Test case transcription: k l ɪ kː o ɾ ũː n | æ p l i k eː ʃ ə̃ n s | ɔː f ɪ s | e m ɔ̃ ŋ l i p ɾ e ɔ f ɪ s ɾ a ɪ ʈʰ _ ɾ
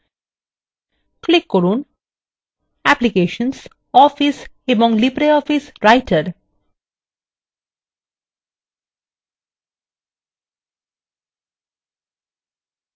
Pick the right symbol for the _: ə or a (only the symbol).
ə